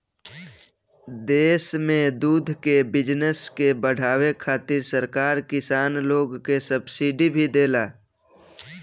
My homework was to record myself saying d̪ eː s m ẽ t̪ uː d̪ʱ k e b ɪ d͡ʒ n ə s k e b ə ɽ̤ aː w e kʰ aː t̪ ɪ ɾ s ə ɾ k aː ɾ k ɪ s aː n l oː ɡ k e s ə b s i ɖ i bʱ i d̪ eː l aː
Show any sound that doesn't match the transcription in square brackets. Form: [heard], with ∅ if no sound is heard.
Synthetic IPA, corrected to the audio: d̪ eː s m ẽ [d̪] uː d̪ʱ k e b ɪ d͡ʒ n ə s k e b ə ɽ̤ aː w e kʰ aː t̪ ɪ ɾ s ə ɾ k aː ɾ k ɪ s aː n l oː ɡ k e s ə b s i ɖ i bʱ i d̪ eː l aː